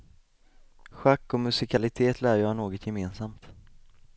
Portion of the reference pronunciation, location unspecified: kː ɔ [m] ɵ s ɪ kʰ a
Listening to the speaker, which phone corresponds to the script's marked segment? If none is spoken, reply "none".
m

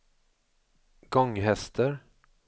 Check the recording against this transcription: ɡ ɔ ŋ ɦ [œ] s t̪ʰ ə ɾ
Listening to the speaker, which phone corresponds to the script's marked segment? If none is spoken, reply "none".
ɛ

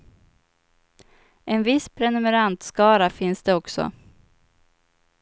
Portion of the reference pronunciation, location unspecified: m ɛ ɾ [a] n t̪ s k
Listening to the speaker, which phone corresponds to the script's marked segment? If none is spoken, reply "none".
a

